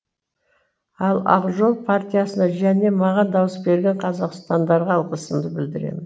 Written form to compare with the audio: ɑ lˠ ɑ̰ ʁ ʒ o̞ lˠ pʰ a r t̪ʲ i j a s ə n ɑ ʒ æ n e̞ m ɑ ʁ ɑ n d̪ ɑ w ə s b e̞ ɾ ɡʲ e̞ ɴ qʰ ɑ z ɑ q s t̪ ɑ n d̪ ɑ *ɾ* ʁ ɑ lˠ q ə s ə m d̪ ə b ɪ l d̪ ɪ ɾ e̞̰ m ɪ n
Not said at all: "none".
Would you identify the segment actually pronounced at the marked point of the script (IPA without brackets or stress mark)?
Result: ɾ